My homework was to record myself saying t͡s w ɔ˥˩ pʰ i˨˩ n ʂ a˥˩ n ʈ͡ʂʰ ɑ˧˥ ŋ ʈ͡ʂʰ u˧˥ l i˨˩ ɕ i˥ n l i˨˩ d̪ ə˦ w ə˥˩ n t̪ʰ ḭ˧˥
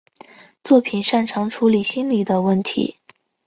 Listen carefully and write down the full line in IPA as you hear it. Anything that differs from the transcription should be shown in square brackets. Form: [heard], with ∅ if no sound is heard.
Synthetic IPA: t͡s w ɔ˥˩ pʰ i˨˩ n ʂ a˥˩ n ʈ͡ʂʰ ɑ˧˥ ŋ ʈ͡ʂʰ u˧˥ l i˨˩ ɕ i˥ n l i˨˩ d̪ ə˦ w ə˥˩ n t̪ʰ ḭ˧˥